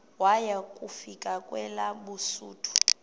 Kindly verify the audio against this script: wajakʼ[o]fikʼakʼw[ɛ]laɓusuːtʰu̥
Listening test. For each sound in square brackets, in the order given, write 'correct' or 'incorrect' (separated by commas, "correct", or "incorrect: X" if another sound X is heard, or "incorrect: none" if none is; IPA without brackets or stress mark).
incorrect: u, correct